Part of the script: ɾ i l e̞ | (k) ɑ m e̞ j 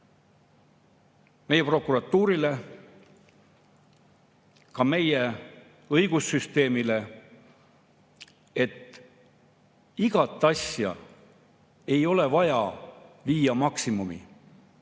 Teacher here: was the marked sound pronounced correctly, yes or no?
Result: yes